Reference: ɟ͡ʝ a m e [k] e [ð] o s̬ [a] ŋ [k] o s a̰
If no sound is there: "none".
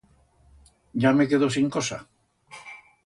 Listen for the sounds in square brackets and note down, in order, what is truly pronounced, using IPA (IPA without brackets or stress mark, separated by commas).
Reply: k, ð, i, k